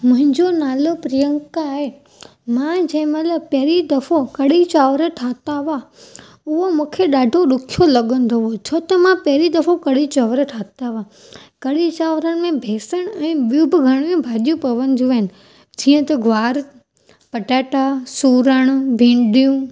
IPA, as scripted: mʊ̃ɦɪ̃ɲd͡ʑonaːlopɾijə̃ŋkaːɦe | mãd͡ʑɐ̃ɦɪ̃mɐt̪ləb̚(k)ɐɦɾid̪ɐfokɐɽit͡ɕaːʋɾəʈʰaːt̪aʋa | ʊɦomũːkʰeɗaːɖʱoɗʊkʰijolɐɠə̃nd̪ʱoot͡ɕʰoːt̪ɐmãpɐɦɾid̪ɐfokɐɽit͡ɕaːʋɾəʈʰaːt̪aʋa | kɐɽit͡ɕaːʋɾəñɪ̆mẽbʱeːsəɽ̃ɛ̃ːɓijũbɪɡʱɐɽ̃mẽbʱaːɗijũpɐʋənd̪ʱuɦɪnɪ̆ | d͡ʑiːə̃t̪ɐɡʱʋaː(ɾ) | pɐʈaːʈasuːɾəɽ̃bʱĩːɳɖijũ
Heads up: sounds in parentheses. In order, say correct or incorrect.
incorrect: p, correct

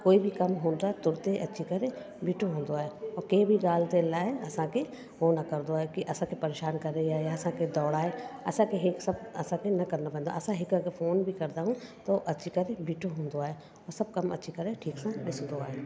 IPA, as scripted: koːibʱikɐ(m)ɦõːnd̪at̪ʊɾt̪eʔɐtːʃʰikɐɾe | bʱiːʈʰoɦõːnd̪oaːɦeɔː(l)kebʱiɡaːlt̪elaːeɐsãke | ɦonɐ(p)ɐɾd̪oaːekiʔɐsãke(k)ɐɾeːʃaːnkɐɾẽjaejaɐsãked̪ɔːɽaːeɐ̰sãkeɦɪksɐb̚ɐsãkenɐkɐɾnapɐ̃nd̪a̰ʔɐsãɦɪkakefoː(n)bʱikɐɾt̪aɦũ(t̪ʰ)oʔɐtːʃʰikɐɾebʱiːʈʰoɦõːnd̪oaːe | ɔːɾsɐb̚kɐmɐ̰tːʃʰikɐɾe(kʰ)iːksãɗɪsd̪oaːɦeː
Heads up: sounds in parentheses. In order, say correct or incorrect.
correct, incorrect: ɾ, incorrect: k, incorrect: p, correct, incorrect: t̪, incorrect: ʈʰ

